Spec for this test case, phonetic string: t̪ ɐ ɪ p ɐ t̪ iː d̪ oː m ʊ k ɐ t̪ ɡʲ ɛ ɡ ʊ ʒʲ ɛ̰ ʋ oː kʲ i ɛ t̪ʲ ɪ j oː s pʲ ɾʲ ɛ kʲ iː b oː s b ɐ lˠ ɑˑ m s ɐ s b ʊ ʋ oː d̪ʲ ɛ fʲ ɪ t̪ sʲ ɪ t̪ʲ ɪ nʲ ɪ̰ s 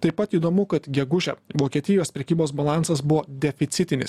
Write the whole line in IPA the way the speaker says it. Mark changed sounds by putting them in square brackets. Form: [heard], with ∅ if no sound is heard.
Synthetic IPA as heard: t̪ ɐ ɪ p ɐ t̪ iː d̪ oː m ʊ k ɐ t̪ ɡʲ ɛ ɡ ʊ ʒʲ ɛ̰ ʋ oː kʲ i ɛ t̪ʲ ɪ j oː s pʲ ɾʲ ɛ kʲ iː b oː s b ɐ lˠ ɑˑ [n] s ɐ s b ʊ ʋ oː d̪ʲ ɛ fʲ ɪ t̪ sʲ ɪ t̪ʲ ɪ nʲ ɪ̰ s